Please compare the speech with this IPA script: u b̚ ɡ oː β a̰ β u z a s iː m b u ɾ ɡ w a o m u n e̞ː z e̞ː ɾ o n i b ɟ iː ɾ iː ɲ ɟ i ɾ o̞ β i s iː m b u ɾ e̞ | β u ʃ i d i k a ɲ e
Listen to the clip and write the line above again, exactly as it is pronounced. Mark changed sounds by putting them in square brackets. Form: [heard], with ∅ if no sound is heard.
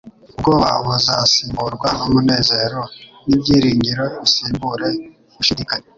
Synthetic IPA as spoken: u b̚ ɡ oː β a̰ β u z a s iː m b u ɾ ɡ w a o m u n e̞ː z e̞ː ɾ o n i b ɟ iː ɾ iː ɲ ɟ i ɾ o̞ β i s iː m b u ɾ e̞ | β u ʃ i d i k a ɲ e